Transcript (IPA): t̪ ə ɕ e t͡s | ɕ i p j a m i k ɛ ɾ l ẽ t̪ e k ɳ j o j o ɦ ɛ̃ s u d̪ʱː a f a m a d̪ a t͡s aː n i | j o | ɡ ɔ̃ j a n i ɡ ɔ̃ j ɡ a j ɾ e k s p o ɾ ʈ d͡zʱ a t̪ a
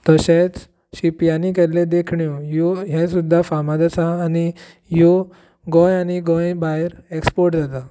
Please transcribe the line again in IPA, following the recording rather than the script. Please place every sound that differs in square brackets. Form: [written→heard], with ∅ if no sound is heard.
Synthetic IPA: t̪ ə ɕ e t͡s | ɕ i p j a [m→n] i k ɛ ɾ l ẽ [t̪→d̪] e [k→kʰ] ɳ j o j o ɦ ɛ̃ s u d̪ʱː a f a m a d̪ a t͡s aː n i | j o | ɡ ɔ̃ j a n i ɡ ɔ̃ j [ɡ→b] a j ɾ e k s p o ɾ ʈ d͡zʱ a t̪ a